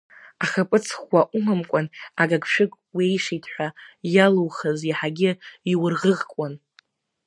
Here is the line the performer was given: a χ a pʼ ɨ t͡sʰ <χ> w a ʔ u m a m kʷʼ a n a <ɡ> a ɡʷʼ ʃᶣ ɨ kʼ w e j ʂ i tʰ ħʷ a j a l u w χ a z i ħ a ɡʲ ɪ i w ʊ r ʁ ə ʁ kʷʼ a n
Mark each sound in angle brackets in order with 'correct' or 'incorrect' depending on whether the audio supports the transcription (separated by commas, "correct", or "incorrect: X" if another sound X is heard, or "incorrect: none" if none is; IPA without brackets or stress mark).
correct, correct